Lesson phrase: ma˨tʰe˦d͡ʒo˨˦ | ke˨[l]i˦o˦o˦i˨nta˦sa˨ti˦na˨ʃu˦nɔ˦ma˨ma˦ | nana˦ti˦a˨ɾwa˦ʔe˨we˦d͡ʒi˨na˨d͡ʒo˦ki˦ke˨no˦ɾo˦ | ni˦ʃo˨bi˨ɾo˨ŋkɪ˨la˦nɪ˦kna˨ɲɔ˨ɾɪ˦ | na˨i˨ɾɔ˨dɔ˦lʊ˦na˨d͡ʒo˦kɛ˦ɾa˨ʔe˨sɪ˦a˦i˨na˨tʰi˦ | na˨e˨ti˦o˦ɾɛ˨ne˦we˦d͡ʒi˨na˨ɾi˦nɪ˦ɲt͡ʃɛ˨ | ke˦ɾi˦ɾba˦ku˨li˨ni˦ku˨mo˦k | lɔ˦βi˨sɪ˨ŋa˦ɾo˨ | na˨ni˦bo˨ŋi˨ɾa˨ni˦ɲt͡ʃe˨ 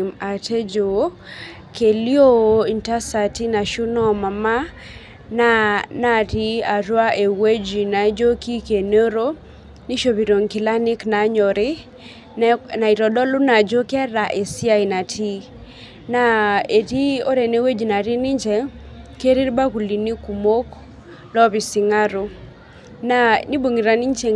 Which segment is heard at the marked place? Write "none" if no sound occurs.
l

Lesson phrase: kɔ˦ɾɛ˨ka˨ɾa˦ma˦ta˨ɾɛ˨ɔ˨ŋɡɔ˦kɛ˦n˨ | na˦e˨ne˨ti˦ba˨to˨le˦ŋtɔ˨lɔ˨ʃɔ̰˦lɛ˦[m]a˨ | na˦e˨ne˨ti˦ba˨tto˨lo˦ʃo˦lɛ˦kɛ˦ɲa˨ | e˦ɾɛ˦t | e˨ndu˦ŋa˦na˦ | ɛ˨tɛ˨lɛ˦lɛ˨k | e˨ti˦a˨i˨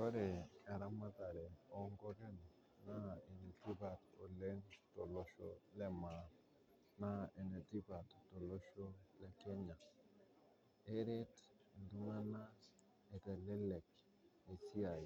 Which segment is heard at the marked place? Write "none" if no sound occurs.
m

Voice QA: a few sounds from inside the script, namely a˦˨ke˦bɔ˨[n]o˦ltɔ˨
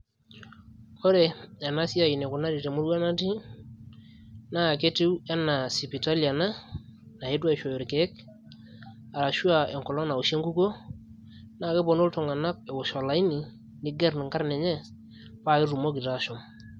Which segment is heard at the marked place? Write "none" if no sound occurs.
n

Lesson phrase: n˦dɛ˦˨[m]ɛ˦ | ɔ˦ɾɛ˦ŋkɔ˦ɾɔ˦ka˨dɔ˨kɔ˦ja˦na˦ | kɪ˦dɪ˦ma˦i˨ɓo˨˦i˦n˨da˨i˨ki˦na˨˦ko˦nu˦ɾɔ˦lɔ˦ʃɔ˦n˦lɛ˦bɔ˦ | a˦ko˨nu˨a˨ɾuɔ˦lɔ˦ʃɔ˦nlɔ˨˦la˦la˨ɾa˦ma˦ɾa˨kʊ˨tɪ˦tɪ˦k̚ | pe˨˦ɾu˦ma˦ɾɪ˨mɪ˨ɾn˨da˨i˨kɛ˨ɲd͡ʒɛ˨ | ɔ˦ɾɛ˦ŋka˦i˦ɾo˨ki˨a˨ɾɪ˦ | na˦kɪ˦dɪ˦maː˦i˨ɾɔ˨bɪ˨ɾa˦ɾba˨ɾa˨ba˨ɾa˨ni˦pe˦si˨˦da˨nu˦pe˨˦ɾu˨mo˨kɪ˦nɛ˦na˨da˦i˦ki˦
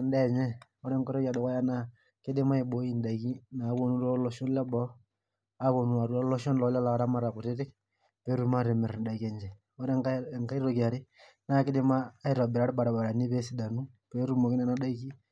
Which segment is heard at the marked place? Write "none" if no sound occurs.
ɲ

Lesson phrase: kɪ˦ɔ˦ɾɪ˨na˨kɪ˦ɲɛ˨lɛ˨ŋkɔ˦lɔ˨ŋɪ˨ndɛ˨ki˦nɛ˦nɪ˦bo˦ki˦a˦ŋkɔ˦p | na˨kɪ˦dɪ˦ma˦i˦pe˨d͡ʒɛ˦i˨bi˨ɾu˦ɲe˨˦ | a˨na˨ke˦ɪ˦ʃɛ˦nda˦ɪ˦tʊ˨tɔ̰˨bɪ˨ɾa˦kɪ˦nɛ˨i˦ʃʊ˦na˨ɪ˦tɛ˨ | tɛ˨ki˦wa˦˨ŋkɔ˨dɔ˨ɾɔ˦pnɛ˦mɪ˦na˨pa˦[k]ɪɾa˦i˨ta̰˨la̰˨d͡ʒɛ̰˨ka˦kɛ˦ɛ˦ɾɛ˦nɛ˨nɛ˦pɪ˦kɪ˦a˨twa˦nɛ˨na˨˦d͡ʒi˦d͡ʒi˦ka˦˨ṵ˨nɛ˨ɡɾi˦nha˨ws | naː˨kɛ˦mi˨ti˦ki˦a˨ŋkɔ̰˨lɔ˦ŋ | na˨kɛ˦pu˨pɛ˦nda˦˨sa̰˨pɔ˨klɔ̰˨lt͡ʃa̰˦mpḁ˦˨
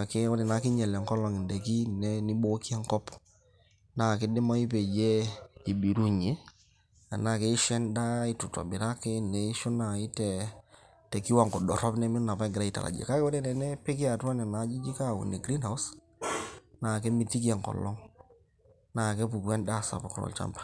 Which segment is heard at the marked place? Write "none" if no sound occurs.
ɡ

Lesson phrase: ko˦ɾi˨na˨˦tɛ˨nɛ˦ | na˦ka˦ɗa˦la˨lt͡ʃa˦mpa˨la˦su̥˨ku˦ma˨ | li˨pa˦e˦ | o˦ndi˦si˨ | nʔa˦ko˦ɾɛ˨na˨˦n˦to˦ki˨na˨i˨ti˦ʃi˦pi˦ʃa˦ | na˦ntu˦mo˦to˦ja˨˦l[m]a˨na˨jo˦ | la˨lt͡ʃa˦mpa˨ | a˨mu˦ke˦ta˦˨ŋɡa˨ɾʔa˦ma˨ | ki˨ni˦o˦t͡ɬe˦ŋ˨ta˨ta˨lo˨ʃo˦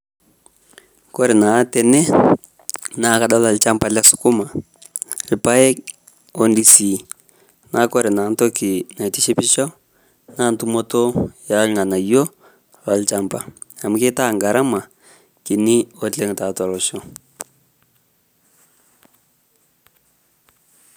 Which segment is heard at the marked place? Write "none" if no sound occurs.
ŋ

